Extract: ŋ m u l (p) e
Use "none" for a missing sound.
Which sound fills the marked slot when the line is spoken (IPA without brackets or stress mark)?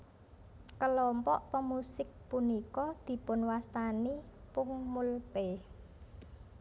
p